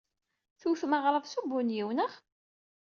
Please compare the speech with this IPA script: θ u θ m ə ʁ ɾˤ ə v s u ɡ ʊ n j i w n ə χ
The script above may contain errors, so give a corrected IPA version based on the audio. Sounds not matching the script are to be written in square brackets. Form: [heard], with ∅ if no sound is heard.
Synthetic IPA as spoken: θ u θ m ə ʁ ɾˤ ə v s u [b] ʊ n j i w n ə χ